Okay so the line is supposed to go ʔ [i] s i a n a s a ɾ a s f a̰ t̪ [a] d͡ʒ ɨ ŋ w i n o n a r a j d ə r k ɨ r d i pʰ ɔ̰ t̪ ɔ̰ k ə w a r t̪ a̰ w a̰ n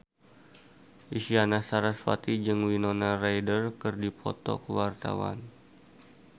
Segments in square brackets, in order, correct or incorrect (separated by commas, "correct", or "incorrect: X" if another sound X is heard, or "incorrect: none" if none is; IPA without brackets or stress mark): correct, incorrect: i